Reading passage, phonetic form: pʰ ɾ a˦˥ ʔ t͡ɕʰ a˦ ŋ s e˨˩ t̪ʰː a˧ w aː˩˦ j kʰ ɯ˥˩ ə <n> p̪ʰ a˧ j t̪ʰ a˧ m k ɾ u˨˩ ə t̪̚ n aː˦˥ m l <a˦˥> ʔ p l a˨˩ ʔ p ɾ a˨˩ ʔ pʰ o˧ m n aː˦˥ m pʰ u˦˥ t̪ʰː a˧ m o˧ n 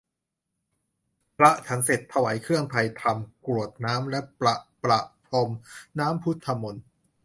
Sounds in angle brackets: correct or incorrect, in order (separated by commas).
incorrect, incorrect